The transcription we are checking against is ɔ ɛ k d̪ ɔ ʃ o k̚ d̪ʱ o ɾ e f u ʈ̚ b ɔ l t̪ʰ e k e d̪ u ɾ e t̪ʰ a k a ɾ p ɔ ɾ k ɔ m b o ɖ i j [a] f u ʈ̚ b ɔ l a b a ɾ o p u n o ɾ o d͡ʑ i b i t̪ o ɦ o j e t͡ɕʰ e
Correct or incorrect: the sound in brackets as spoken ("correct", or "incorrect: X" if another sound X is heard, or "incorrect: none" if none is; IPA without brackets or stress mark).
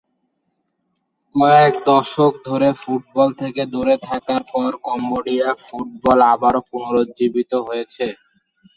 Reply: correct